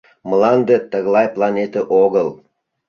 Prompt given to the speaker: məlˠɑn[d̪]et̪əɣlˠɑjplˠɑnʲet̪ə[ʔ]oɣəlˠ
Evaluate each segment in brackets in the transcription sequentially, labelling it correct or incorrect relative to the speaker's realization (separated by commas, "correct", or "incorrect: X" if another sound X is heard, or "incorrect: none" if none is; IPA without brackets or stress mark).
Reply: correct, correct